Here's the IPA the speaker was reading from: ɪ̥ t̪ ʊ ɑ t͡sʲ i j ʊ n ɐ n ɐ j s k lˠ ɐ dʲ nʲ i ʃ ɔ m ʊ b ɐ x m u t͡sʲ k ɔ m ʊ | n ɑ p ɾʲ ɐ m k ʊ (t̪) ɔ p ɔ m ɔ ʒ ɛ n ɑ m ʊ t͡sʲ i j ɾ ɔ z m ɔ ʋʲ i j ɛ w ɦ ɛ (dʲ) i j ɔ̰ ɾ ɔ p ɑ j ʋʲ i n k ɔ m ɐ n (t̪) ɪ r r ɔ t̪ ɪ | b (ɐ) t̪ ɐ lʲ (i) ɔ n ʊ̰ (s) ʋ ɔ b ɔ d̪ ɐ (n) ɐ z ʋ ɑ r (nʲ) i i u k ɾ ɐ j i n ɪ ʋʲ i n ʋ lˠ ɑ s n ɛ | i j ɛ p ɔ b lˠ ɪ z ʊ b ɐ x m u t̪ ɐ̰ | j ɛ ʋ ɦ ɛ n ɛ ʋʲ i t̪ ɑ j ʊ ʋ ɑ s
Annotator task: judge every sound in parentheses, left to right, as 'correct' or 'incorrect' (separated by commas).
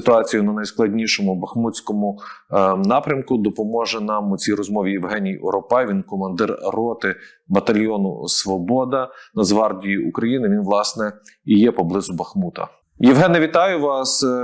incorrect, incorrect, incorrect, correct, incorrect, correct, correct, incorrect